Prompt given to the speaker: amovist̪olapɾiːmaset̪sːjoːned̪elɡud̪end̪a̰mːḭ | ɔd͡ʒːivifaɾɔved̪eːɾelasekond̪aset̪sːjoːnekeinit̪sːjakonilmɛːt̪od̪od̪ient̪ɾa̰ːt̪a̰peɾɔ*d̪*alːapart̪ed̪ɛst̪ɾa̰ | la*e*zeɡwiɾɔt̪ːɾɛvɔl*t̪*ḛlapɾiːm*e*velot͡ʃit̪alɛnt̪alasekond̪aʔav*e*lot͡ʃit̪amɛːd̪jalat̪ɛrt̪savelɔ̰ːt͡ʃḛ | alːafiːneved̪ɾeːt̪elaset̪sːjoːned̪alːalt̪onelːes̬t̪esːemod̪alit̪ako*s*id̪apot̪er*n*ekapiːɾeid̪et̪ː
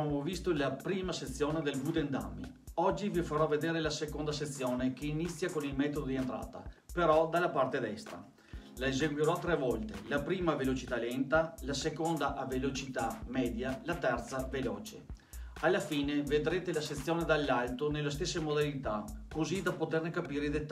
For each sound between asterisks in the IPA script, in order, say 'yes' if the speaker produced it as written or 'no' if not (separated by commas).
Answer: yes, yes, yes, no, yes, no, yes